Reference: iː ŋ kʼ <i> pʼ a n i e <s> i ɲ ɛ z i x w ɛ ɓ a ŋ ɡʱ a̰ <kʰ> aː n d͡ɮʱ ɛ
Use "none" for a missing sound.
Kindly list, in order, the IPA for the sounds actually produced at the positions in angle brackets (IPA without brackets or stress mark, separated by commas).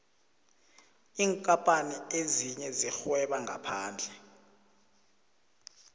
a, z, pʰ